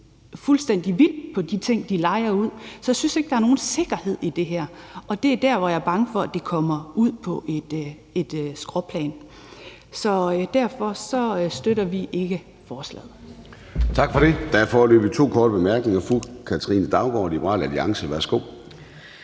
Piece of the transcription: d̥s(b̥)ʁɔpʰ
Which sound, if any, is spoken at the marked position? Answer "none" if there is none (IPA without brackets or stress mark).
ɡ̥